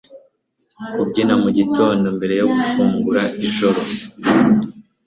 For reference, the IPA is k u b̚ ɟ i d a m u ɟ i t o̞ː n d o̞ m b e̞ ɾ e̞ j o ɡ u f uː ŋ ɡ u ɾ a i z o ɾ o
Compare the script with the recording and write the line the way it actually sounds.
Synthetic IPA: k u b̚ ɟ i n a m u ɟ i t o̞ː n d o̞ m b e̞ ɾ e̞ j o ɡ u f uː ŋ ɡ u ɾ a i ʒ o ɾ o